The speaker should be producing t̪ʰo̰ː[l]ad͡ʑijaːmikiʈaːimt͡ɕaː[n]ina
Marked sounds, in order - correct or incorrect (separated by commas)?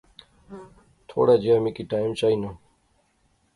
incorrect, incorrect